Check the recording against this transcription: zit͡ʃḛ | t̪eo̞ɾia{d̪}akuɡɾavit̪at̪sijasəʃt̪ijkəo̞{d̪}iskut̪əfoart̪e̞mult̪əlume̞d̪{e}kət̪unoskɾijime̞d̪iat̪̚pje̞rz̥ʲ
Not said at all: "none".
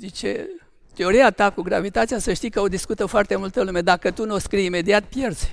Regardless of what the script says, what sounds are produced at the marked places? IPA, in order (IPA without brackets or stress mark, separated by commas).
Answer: t̪, d̪, a